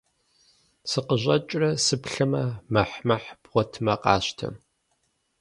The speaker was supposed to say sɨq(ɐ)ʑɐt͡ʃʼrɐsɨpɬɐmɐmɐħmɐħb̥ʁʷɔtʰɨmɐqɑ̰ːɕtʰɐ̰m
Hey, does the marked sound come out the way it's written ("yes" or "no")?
no